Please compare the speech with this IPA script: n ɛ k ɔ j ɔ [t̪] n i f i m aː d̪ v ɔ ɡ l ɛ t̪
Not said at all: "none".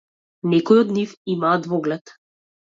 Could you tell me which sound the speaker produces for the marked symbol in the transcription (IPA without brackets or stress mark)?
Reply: d̪